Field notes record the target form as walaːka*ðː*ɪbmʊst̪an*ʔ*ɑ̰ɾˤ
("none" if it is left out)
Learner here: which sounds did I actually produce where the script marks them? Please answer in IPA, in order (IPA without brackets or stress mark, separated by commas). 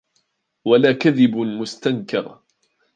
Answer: ð, k